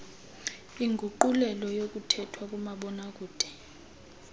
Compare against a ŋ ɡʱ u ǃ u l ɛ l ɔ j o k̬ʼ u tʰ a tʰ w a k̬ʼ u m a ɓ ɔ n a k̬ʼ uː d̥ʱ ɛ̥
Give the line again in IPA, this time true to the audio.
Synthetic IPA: i ŋ ɡʱ u ǃ u l ɛ l ɔ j o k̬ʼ u tʰ ɛ tʰ w a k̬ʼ u m a ɓ ɔ n a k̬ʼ uː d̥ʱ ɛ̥